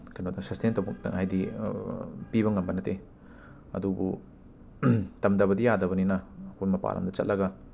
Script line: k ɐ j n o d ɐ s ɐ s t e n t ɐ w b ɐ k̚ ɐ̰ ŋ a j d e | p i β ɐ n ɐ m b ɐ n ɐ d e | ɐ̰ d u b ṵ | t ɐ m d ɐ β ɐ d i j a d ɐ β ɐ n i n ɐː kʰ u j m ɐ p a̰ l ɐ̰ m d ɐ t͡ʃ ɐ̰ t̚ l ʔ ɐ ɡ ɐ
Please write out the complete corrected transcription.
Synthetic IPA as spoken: k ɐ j n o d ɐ s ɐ s t e n t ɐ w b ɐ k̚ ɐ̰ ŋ a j d i | p i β ɐ ŋ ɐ m b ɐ n ɐ t e | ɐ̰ d u b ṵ | t ɐ m d ɐ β ɐ d i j a d ɐ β ɐ n i n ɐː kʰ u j m ɐ p a̰ l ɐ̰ m d ɐ t͡ʃ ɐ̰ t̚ l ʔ ɐ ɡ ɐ